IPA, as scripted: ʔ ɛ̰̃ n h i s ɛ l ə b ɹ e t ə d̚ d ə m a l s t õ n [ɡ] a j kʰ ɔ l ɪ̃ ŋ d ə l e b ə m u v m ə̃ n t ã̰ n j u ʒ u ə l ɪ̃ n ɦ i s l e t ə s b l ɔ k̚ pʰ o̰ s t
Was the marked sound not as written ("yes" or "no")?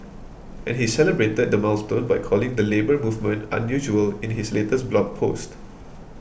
yes